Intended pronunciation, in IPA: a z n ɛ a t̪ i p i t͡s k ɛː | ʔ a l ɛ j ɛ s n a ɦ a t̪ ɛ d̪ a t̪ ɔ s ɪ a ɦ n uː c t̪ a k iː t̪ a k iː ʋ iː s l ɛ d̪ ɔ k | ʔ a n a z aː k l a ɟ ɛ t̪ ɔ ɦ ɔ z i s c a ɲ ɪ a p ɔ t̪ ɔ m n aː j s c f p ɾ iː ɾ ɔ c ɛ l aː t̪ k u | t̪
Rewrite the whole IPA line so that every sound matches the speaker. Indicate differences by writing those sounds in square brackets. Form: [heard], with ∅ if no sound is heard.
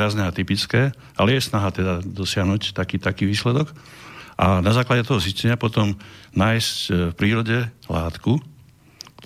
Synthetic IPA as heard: a z n ɛ a t̪ i p i t͡s k ɛː | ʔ a l ɛ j ɛ s n a ɦ a t̪ ɛ d̪ a [d̪] ɔ s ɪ a ɦ n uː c t̪ a k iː t̪ a k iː ʋ iː s l ɛ d̪ ɔ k | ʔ a n a z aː k l a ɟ ɛ t̪ ɔ ɦ ɔ z i s c [ɛ] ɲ ɪ a p ɔ t̪ ɔ m n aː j s c f p ɾ iː ɾ ɔ [ɟ] ɛ l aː t̪ k u | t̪